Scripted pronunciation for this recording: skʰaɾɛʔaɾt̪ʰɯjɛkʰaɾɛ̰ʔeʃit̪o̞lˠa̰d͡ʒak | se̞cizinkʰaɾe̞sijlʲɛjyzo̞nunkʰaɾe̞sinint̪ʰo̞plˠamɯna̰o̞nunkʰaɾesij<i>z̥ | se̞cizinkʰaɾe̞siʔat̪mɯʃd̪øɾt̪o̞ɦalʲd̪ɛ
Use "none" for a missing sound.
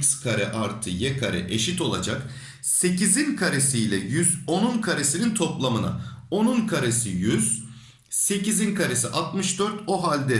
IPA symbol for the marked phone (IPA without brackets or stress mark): y